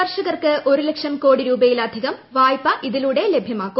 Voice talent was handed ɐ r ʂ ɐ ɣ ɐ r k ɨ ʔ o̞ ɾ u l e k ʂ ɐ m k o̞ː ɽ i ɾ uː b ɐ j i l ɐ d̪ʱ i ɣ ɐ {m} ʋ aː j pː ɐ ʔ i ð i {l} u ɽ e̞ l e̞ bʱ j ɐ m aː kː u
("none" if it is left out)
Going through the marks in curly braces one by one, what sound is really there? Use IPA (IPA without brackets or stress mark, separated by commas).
m, l